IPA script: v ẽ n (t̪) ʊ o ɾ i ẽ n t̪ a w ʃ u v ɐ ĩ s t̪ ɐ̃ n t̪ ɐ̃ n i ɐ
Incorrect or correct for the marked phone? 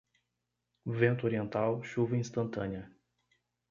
correct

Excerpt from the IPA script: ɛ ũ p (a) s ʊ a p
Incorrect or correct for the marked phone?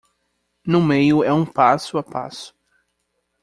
correct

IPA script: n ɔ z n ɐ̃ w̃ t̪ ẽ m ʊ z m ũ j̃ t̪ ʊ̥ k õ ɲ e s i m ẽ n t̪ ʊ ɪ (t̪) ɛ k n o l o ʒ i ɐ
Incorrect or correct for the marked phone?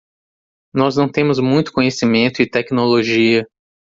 correct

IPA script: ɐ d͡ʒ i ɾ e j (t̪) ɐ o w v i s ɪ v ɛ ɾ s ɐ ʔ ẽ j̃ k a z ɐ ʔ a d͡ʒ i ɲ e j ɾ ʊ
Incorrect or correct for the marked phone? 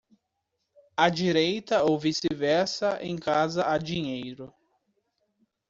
correct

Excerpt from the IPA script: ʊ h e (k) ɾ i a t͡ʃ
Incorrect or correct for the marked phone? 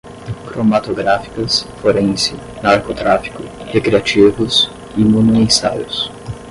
correct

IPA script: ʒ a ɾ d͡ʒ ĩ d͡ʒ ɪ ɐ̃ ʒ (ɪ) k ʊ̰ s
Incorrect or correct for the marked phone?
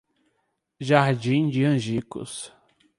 incorrect: i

